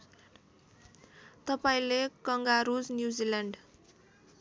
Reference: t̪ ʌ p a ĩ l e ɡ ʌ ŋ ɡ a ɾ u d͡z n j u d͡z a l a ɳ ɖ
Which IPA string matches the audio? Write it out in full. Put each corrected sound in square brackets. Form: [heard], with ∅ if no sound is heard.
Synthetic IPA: t̪ ʌ p a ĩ l e [k] ʌ ŋ ɡ a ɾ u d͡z n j u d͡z [i] l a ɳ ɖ